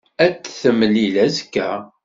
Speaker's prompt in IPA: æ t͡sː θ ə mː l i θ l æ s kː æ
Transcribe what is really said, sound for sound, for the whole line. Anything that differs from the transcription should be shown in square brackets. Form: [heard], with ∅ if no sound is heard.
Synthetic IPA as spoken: æ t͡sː θ ə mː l i [∅] l æ [z] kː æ